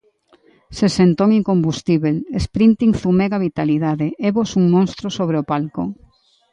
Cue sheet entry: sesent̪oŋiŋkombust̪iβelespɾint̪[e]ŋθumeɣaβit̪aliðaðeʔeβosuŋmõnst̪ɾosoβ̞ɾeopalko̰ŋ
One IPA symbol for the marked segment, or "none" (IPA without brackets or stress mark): i